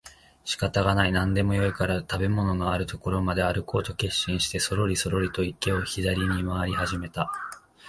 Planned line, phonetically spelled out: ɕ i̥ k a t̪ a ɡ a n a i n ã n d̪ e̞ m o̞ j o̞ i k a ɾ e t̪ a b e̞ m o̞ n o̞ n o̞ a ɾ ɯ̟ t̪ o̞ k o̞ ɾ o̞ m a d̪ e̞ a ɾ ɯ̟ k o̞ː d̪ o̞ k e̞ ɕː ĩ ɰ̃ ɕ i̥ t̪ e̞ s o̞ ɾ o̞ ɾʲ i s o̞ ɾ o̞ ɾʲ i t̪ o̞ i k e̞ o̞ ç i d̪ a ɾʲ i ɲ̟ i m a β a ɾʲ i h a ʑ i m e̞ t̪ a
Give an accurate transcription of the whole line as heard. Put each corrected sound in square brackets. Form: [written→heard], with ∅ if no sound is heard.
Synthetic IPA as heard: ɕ i̥ k a t̪ a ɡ a n a i n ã n d̪ e̞ m o̞ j o̞ i k a ɾ [e→a] t̪ a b e̞ m o̞ n o̞ n o̞ a ɾ ɯ̟ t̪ o̞ k o̞ ɾ o̞ m a d̪ e̞ a ɾ ɯ̟ k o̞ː [d̪→t̪] o̞ k e̞ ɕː ĩ ɰ̃ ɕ i̥ t̪ e̞ s o̞ ɾ o̞ ɾʲ i s o̞ ɾ o̞ ɾʲ i t̪ o̞ i k e̞ o̞ ç i d̪ a ɾʲ i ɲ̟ i m a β a ɾʲ i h a ʑ i m e̞ t̪ a

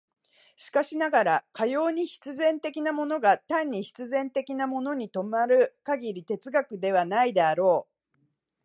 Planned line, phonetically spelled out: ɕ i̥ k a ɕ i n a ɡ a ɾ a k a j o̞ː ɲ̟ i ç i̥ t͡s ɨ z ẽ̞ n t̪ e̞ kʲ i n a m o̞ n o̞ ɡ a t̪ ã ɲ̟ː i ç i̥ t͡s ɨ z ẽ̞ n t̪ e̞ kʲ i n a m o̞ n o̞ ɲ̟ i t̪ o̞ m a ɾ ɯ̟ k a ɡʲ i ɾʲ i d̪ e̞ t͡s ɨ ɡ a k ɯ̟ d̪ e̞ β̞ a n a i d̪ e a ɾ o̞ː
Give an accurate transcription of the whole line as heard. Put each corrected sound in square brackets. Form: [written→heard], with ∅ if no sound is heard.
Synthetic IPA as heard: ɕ i̥ k a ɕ i n a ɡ a ɾ a k a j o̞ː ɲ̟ i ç i̥ t͡s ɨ z ẽ̞ n t̪ e̞ kʲ i n a m o̞ n o̞ ɡ a t̪ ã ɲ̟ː i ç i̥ t͡s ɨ z ẽ̞ n t̪ e̞ kʲ i n a m o̞ n o̞ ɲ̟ i t̪ o̞ m a ɾ ɯ̟ k a ɡʲ i ɾʲ i [d̪→t̪] e̞ t͡s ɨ ɡ a k ɯ̟ d̪ e̞ β̞ a n a i d̪ e a ɾ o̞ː

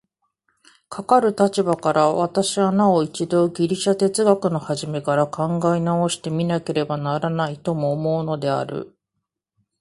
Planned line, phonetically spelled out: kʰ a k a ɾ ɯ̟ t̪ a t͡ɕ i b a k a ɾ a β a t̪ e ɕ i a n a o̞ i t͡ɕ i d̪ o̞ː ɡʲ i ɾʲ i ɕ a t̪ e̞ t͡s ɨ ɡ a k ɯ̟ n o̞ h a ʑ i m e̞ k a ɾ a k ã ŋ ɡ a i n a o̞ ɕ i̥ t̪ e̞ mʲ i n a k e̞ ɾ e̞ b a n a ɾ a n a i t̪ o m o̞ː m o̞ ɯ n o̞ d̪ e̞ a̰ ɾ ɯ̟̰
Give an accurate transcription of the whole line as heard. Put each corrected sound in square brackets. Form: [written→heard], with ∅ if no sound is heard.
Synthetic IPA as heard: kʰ a k a ɾ ɯ̟ t̪ a t͡ɕ i b a k a ɾ a β a t̪ [e→a] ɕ i a n a o̞ i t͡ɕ i d̪ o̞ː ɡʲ i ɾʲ i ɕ a t̪ e̞ t͡s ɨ ɡ a k ɯ̟ n o̞ h a ʑ i m e̞ k a ɾ a k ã ŋ ɡ a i n a o̞ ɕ i̥ t̪ e̞ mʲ i n a k e̞ ɾ e̞ b a n a ɾ a n a i t̪ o m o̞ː m o̞ ɯ n o̞ d̪ e̞ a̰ ɾ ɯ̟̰

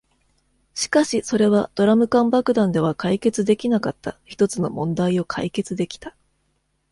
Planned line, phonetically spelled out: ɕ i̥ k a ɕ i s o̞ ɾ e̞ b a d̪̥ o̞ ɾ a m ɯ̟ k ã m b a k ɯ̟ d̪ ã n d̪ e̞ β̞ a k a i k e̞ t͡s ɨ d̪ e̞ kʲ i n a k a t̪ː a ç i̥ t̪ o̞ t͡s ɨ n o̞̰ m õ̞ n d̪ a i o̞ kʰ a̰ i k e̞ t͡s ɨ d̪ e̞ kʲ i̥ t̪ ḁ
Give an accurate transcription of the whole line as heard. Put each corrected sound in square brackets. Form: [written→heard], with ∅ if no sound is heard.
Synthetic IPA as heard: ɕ i̥ k a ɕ i s o̞ ɾ e̞ [b→β] a d̪̥ o̞ ɾ a m ɯ̟ k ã m b a k ɯ̟ d̪ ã n d̪ e̞ β̞ a k a i k e̞ t͡s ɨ d̪ e̞ kʲ i n a k a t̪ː a ç i̥ t̪ o̞ t͡s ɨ n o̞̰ m õ̞ n d̪ a i o̞ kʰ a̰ i k e̞ t͡s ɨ d̪ e̞ kʲ i̥ t̪ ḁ

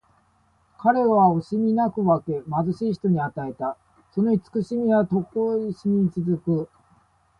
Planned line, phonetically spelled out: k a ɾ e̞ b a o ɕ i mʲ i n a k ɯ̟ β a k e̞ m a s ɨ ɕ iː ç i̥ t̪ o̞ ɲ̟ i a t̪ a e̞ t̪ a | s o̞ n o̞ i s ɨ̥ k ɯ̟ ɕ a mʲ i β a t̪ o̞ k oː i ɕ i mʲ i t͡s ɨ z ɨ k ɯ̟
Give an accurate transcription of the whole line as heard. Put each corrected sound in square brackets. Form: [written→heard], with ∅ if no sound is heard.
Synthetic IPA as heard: k a ɾ e̞ [b→β] a o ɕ i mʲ i n a k ɯ̟ β a k e̞ m a [s→z] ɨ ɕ iː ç i̥ t̪ o̞ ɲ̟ i a t̪ a e̞ t̪ a | s o̞ n o̞ i [s→t͡s] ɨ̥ k ɯ̟ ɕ [a→i] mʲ i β a t̪ o̞ k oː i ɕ i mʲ i t͡s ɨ z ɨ k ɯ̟

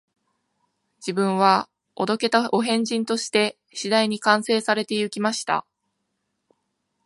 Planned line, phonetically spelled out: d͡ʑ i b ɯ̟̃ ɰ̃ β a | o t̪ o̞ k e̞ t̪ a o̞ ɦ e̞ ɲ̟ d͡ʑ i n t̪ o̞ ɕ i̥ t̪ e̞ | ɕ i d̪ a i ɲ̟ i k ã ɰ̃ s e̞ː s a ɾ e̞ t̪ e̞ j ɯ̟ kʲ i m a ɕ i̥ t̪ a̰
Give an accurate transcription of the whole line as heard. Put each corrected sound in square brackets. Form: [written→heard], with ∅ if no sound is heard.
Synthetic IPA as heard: d͡ʑ i b ɯ̟̃ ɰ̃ β a | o [t̪→d̪] o̞ k e̞ t̪ a o̞ ɦ [e̞→ẽ̞] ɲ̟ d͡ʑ [i→ĩ] n t̪ o̞ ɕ i̥ t̪ e̞ | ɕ i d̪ a i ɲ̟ i k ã ɰ̃ s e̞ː s a ɾ e̞ t̪ e̞ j ɯ̟ kʲ i m a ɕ i̥ t̪ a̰

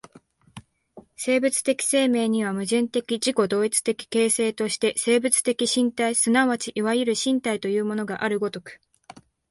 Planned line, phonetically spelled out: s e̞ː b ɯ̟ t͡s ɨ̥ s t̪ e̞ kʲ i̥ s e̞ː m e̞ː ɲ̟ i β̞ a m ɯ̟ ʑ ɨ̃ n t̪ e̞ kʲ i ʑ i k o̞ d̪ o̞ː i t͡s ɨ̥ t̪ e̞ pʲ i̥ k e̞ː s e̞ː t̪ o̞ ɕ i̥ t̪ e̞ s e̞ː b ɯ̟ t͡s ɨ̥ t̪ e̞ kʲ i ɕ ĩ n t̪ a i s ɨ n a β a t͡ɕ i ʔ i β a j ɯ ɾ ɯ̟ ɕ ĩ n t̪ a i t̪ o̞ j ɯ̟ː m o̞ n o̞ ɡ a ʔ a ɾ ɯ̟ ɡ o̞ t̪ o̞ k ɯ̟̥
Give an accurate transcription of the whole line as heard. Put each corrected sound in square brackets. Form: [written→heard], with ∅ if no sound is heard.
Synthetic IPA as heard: s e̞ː b ɯ̟ t͡s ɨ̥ [s→∅] t̪ e̞ kʲ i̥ s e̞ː m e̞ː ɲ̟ i β̞ a m ɯ̟ ʑ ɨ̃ n t̪ e̞ kʲ i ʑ i k o̞ d̪ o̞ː i t͡s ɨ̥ t̪ e̞ [pʲ→kʲ] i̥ k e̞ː s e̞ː t̪ o̞ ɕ i̥ t̪ e̞ s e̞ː b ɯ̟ t͡s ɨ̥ t̪ e̞ kʲ i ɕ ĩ n t̪ a i s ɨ n a β a t͡ɕ i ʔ i β a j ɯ ɾ ɯ̟ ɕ ĩ n t̪ a i t̪ o̞ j ɯ̟ː m o̞ n o̞ ɡ a ʔ a ɾ ɯ̟ ɡ o̞ t̪ o̞ k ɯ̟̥

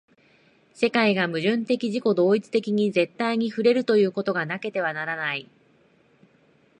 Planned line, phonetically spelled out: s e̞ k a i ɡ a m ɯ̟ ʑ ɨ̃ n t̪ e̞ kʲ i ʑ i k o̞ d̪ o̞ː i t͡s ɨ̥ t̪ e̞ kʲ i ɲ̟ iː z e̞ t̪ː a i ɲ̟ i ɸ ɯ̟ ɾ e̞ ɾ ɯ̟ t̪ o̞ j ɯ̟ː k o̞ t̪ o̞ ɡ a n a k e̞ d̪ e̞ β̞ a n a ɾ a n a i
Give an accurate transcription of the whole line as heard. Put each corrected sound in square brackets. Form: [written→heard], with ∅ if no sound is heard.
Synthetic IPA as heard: s e̞ k a i ɡ a m ɯ̟ ʑ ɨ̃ n t̪ e̞ kʲ i ʑ i k o̞ d̪ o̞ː i t͡s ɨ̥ t̪ e̞ kʲ i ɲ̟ [iː→i] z e̞ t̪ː a i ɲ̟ i ɸ ɯ̟ ɾ e̞ ɾ ɯ̟ t̪ o̞ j ɯ̟ː k o̞ t̪ o̞ ɡ a n a k e̞ [d̪→t̪] e̞ β̞ a n a ɾ a n a i

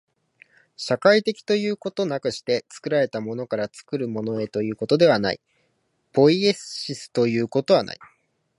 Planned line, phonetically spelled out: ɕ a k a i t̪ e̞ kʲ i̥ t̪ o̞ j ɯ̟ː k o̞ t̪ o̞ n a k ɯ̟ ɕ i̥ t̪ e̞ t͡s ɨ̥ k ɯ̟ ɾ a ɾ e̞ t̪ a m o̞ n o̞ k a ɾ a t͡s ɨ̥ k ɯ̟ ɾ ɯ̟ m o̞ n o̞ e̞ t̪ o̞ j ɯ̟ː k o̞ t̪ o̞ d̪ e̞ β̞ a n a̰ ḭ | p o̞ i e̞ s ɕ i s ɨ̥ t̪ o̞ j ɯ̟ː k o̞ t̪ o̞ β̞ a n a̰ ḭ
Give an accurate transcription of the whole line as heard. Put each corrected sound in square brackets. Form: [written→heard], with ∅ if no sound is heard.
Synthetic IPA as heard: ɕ a k a i t̪ e̞ kʲ i̥ t̪ o̞ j ɯ̟ː k o̞ t̪ o̞ n a k ɯ̟ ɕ i̥ t̪ e̞ t͡s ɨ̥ k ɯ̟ ɾ a ɾ e̞ t̪ a m o̞ n o̞ k a ɾ a t͡s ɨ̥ k ɯ̟ ɾ ɯ̟ m o̞ n o̞ e̞ t̪ o̞ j ɯ̟ː k o̞ t̪ o̞ d̪ e̞ β̞ a n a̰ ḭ | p o̞ i e̞ s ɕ i s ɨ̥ t̪ o̞ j ɯ̟ː k o̞ t̪ o̞ β̞ a n a̰ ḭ

